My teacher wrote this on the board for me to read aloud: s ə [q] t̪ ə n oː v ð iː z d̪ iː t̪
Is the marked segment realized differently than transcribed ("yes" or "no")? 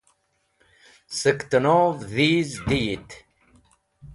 yes